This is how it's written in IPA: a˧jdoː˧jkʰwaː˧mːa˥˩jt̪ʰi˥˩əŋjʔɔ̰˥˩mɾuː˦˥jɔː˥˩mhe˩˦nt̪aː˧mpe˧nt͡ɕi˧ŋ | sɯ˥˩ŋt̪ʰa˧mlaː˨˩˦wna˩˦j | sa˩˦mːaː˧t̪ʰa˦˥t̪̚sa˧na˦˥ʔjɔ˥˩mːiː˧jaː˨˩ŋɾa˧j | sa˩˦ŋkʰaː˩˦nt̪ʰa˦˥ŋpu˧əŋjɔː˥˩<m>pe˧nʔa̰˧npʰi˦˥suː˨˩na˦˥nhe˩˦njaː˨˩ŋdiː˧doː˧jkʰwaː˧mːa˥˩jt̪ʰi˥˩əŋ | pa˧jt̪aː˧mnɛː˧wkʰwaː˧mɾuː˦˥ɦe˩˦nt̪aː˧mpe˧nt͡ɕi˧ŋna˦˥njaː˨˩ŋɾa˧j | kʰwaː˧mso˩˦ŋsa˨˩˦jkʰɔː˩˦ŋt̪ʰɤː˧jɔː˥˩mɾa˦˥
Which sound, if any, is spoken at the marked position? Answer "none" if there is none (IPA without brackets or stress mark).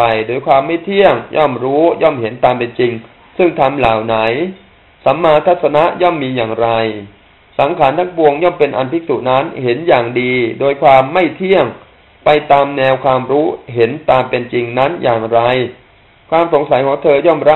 m